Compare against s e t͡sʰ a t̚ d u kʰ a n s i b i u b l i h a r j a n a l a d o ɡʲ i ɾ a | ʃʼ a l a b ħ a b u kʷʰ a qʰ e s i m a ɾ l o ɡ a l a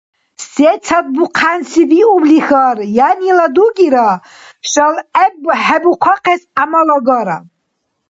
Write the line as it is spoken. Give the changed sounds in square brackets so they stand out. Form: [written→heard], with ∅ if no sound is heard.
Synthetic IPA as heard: s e t͡sʰ a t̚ [d→b] u [kʰ→qʰ] a n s i b i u b l i [h→x] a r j a n [a→i] l a d [o→u] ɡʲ i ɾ a | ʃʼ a l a b ħ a b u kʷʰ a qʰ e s [i→a] m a [ɾ→∅] l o ɡ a [l→ɾ] a